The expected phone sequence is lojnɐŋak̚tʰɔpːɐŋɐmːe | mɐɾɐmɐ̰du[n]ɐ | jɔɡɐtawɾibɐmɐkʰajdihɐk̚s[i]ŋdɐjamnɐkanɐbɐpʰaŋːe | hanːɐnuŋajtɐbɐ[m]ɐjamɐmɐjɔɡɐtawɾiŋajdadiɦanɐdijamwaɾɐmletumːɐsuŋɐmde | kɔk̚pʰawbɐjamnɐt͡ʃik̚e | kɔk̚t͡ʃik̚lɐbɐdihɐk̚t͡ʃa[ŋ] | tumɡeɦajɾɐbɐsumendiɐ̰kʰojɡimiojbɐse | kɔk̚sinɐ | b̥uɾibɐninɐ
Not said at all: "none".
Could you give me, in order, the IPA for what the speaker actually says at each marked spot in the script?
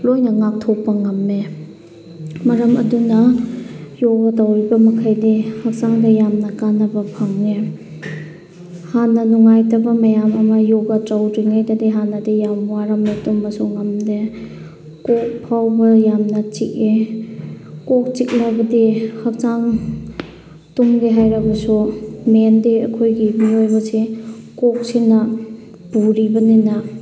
n, a, m, ŋ

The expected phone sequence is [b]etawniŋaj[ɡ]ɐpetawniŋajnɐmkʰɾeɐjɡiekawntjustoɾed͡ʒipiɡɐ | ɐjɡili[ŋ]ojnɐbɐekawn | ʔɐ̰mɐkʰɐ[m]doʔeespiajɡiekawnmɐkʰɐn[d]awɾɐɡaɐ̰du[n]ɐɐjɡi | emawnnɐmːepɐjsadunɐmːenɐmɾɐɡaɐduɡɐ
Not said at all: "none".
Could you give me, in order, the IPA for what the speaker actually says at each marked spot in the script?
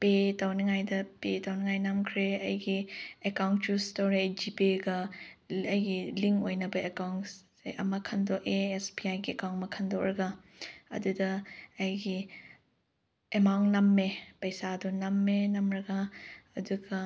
p, d, ŋ, n, d, d

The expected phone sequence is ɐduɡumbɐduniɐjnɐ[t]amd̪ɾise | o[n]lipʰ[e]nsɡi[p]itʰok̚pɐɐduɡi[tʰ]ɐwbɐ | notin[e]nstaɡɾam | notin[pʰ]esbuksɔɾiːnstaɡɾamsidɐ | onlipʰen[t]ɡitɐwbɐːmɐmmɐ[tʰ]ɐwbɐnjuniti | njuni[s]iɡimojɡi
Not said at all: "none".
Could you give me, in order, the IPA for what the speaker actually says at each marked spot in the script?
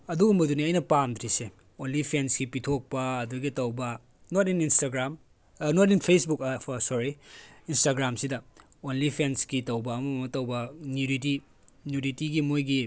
p, n, e, p, t, i, pʰ, s, t, t

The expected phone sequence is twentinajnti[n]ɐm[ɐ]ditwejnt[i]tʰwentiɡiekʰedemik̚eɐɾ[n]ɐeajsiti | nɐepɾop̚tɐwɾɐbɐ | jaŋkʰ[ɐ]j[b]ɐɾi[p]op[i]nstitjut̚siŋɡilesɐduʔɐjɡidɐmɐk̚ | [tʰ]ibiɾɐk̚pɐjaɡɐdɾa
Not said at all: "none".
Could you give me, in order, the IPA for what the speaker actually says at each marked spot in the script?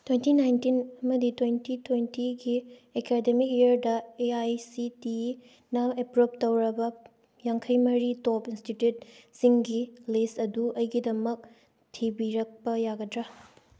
n, ɐ, i, d, ɐ, m, t, i, tʰ

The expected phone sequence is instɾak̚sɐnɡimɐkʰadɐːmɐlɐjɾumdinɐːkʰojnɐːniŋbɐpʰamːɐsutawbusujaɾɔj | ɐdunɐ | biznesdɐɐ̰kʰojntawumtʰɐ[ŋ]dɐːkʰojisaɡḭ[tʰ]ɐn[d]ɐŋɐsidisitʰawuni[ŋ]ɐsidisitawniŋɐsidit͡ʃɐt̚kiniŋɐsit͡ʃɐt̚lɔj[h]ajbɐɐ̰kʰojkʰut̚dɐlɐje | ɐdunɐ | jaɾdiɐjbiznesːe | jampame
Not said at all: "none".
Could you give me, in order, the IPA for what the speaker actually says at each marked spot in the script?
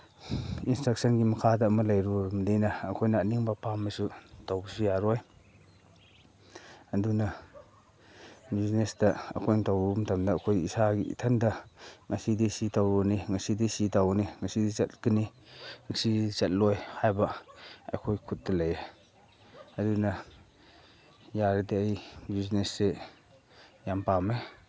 m, tʰ, d, ŋ, h

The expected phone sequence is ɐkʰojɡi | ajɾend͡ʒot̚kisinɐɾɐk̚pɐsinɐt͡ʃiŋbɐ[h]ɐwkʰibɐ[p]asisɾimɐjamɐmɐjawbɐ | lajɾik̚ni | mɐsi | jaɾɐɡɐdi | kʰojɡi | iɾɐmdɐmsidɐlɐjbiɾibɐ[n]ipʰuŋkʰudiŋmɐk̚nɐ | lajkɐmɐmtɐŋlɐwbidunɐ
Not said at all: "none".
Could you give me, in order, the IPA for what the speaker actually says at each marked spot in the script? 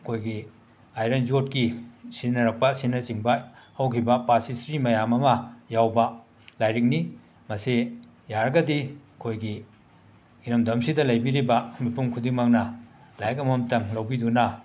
h, p, m

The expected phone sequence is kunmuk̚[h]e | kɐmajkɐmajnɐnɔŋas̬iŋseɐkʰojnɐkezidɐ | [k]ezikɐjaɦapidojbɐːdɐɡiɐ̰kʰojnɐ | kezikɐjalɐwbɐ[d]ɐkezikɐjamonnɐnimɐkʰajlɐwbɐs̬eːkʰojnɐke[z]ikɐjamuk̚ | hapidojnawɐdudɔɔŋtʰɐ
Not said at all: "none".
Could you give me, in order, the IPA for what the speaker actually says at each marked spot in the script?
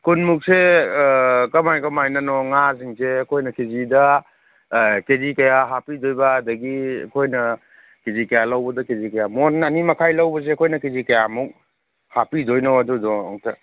s, k, d, z

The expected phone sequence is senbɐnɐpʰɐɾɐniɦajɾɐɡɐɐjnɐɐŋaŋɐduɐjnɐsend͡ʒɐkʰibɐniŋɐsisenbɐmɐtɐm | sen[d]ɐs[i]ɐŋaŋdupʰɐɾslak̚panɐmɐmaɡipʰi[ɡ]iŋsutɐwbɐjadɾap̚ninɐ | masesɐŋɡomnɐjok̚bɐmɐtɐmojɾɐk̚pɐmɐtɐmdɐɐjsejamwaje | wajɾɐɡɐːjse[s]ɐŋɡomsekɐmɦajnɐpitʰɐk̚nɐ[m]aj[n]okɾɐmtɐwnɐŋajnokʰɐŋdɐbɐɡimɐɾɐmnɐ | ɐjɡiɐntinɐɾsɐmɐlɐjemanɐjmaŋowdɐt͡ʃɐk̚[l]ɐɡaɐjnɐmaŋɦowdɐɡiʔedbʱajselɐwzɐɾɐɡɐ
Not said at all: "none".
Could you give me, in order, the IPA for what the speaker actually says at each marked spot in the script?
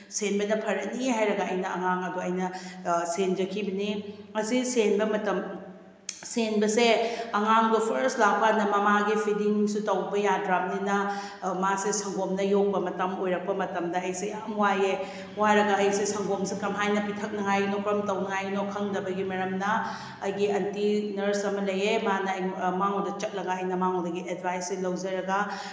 b, e, d, s, ŋ, n, l

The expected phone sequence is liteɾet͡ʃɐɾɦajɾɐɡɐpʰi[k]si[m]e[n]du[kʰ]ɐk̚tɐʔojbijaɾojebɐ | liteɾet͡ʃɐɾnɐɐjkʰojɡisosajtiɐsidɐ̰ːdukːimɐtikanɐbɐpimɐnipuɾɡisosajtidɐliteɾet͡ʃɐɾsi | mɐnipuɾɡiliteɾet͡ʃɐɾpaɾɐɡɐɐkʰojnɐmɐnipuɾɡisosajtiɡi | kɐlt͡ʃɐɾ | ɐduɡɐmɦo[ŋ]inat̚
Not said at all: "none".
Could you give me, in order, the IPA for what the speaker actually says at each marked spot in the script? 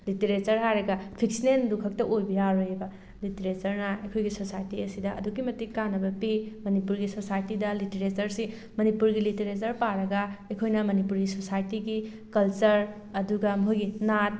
k, n, n, kʰ, ɡ

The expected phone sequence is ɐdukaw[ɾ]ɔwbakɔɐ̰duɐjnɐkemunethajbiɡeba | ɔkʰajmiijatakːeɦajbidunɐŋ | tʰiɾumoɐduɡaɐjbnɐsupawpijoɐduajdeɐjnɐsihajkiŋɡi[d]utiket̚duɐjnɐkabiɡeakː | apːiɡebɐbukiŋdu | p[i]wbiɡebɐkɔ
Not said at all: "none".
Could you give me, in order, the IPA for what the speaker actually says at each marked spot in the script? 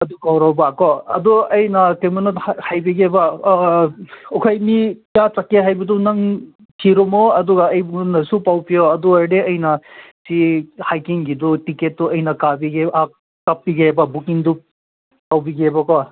ɾ, d, a

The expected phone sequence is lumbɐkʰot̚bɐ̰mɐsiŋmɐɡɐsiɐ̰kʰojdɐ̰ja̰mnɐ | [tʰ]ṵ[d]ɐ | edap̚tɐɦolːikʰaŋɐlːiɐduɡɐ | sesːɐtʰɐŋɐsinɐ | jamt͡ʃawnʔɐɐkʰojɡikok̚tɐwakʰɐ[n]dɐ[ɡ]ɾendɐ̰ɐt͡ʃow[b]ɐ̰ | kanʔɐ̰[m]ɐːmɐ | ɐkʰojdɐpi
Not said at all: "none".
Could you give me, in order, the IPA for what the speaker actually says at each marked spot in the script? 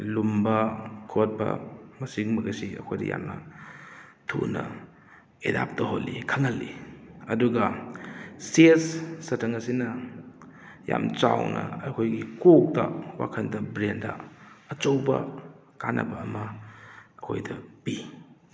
tʰ, n, n, b, b, b

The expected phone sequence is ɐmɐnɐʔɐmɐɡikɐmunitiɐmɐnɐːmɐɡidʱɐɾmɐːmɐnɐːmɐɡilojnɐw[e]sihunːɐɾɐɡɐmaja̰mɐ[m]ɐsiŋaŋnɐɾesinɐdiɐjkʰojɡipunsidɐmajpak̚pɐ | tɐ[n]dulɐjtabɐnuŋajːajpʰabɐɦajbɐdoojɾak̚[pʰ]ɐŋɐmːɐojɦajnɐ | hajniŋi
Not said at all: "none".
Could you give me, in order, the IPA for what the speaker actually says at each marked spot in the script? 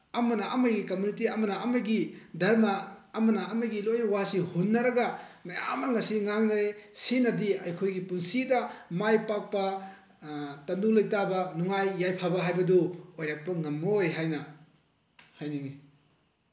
a, ŋ, n, p

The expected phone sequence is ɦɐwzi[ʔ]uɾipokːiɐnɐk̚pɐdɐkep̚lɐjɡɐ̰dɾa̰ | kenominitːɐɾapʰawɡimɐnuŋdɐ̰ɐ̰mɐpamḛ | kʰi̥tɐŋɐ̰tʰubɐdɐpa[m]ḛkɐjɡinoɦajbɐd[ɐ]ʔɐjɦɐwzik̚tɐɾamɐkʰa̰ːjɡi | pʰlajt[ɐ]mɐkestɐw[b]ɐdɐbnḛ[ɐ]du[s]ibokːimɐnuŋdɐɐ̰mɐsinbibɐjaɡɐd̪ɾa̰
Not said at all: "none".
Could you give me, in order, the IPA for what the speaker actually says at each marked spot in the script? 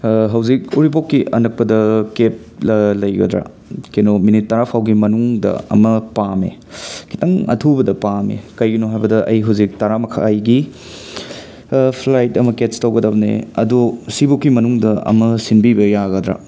k, m, ɐ, ɐ, ɡ, ɐ, s

